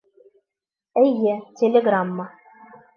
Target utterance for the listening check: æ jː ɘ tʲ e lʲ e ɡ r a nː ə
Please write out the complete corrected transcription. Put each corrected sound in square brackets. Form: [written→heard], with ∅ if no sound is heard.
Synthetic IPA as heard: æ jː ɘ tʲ e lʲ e ɡ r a [nː→mː] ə